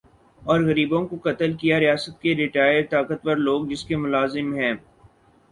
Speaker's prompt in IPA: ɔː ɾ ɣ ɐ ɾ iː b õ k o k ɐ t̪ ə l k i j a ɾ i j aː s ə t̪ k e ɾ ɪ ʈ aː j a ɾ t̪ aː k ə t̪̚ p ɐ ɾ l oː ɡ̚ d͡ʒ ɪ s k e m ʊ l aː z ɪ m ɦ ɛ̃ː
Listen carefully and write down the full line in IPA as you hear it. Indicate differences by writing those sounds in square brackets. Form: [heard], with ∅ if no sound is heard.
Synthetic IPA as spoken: ɔː ɾ ɣ ɐ ɾ iː b õ k o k ɐ t̪ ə l k i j a ɾ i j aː s ə t̪ k e ɾ ɪ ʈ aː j [ə] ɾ t̪ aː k ə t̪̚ p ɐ ɾ l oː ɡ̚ d͡ʒ ɪ s k e m ʊ l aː z ɪ m ɦ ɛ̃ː